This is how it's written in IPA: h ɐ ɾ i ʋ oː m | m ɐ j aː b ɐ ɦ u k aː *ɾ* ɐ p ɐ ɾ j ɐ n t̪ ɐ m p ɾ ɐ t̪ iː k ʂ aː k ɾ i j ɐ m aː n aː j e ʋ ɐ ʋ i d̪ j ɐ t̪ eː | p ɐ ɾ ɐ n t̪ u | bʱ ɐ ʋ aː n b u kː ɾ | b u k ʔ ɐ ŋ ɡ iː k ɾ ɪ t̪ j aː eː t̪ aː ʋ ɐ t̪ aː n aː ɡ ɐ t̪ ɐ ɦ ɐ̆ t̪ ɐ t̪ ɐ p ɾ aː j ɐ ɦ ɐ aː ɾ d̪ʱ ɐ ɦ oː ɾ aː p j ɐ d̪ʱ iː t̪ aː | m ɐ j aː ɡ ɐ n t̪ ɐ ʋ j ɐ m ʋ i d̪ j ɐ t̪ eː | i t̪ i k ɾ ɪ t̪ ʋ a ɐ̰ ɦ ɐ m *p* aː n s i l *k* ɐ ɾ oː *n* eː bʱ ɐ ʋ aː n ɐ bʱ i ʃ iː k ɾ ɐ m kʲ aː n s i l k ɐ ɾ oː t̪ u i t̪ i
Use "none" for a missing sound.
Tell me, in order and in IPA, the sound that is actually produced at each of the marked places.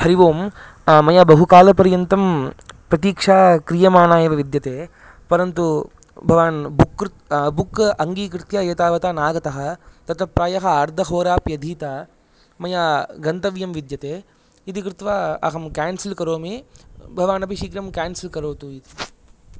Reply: l, k, k, m

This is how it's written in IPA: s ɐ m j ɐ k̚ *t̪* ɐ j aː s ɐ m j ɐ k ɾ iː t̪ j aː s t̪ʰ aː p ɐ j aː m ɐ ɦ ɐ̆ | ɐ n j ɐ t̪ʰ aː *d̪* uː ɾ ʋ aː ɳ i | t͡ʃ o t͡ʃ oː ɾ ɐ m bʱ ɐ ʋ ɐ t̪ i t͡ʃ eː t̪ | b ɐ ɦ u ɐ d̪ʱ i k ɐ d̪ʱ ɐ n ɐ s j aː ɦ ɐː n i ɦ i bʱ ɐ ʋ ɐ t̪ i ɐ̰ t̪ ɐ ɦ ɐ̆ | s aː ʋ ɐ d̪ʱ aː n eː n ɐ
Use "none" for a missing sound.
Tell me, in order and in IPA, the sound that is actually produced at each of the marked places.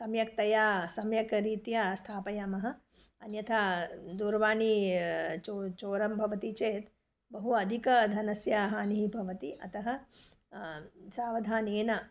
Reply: t̪, d̪

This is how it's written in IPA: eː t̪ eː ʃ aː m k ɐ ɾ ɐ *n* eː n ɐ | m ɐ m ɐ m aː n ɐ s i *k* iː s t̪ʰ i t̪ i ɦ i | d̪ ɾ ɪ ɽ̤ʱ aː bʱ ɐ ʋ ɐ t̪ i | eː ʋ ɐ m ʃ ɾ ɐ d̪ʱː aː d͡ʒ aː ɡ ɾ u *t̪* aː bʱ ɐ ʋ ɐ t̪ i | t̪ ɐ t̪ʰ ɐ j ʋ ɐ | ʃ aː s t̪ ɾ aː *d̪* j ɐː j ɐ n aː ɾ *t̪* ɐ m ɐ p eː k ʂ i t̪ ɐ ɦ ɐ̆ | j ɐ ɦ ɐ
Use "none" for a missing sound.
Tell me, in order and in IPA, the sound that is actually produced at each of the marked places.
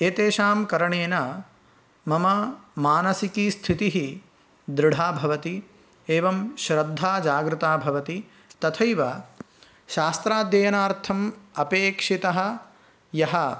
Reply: ɳ, k, t̪, d̪, t̪ʰ

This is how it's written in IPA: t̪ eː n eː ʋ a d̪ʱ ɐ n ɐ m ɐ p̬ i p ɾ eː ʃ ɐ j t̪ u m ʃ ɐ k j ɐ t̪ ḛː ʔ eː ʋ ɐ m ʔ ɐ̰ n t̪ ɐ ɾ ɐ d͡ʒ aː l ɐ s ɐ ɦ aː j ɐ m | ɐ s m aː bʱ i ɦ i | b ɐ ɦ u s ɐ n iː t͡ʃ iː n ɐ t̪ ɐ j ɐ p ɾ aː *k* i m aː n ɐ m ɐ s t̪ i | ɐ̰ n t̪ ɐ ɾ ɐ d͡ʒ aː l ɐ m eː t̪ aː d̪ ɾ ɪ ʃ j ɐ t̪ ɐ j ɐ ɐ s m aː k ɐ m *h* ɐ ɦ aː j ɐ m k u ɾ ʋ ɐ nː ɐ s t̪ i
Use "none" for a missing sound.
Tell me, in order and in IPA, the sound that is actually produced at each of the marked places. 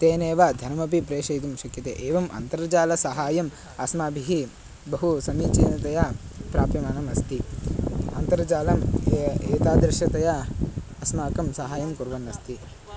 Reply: p, s

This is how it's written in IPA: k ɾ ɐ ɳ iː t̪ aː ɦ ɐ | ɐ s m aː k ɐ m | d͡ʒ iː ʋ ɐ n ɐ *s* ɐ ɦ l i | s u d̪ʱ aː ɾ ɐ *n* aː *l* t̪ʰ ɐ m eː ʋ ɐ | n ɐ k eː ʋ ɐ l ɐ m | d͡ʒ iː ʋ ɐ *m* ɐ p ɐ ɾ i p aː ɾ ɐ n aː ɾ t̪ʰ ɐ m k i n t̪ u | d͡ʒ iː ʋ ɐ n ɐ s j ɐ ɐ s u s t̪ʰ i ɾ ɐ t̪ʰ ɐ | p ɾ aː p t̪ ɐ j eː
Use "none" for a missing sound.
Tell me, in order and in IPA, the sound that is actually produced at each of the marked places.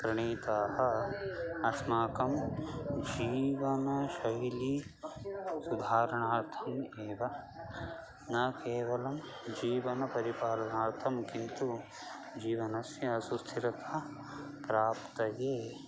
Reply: ʃ, ɳ, ɾ, n

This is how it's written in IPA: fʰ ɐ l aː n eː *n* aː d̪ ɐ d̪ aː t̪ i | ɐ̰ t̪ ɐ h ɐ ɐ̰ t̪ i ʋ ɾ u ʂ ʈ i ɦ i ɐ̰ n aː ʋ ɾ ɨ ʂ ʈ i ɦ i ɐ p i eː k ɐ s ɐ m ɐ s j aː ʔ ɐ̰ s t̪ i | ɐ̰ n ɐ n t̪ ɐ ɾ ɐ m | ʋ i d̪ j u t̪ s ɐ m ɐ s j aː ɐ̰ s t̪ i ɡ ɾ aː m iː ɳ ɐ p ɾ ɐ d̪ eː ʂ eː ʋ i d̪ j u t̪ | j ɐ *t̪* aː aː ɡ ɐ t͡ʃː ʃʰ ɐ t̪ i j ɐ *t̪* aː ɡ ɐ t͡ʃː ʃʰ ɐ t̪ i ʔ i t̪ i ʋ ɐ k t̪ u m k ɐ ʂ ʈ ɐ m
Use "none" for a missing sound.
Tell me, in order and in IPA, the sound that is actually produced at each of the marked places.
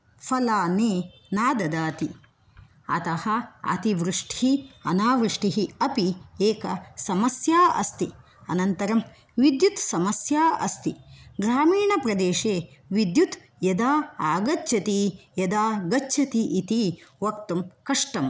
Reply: n, d̪, d̪

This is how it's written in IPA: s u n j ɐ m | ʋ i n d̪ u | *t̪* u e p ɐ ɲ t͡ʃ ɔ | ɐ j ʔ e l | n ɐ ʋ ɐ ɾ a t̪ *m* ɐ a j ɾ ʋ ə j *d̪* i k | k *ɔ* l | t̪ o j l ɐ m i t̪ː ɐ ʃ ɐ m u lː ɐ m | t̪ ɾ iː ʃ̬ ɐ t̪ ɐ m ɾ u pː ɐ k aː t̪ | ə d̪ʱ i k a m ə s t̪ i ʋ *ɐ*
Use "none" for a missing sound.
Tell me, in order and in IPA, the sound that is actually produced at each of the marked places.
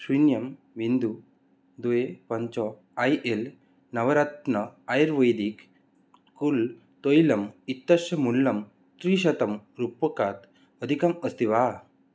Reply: d̪, n, d̪, u, a

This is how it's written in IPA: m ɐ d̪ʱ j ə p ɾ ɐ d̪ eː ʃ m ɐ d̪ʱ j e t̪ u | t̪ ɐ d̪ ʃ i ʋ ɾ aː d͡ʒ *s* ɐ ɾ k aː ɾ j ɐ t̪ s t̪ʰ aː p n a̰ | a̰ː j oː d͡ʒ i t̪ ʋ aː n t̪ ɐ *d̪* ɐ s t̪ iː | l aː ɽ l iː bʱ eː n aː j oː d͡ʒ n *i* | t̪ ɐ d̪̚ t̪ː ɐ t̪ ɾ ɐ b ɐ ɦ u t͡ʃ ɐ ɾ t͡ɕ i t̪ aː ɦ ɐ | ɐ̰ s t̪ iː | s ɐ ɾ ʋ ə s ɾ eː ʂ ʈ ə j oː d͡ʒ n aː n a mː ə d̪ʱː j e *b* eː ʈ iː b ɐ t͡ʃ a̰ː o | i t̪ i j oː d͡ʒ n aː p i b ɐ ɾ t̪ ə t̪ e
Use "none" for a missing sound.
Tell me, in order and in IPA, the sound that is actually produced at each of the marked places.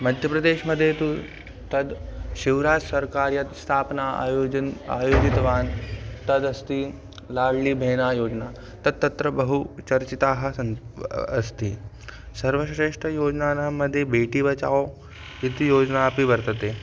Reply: s, d̪, a, b

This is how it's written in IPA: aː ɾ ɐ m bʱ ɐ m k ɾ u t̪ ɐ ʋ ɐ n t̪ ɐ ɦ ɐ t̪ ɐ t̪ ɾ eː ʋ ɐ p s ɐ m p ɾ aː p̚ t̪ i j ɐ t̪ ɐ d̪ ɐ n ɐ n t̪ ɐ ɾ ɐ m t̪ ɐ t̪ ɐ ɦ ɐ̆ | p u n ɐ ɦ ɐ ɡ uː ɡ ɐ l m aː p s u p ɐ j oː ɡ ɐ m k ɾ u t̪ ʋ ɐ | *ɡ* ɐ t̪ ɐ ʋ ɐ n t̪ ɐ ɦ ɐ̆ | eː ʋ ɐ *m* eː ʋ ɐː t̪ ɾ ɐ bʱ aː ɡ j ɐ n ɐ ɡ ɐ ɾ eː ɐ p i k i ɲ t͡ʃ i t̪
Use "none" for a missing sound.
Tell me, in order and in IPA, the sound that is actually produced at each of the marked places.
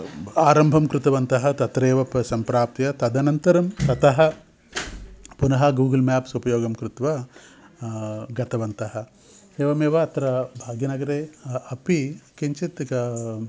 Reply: ɡ, m

